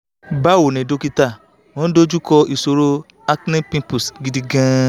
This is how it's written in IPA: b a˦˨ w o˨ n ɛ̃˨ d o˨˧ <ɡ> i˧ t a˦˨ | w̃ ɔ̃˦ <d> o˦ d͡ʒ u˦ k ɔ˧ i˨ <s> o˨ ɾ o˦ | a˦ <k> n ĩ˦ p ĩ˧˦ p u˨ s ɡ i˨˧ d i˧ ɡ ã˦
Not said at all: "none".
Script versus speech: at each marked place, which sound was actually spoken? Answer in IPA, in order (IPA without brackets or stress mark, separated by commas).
k, d, s, k